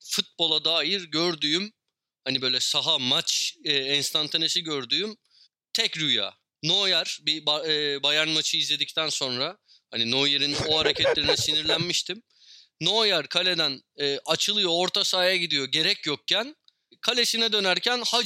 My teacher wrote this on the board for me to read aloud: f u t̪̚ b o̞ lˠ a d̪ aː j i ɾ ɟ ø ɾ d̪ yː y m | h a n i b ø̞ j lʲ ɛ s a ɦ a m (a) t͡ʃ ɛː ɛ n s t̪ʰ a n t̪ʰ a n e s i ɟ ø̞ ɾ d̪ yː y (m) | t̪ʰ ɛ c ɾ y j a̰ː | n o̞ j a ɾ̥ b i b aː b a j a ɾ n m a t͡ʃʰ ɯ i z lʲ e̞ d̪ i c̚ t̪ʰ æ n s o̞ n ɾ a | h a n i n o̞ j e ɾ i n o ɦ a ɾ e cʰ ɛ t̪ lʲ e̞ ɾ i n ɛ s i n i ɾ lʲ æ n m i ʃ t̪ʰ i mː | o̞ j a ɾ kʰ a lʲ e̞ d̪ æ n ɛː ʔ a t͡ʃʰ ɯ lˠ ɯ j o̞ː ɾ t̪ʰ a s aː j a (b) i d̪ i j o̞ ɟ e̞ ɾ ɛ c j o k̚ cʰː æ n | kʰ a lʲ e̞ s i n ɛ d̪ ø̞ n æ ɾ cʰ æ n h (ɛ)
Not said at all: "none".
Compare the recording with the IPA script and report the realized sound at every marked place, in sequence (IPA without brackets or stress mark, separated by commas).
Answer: a, m, ɟ, a